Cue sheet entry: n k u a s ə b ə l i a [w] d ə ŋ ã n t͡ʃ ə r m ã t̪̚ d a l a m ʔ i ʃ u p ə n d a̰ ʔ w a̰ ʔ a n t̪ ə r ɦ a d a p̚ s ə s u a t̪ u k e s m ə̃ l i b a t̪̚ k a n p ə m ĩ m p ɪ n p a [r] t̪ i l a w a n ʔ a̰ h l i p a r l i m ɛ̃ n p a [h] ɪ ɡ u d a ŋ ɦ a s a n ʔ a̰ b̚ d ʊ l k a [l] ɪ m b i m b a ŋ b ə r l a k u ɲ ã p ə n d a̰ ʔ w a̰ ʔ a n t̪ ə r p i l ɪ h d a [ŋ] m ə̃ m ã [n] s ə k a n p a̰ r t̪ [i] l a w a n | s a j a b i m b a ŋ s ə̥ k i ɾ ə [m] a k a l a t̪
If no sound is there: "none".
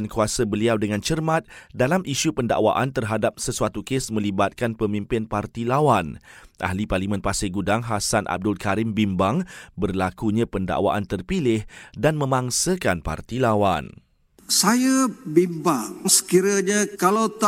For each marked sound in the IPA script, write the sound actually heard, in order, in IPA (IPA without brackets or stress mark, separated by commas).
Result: w, r, s, ɾ, n, ŋ, i, ɲ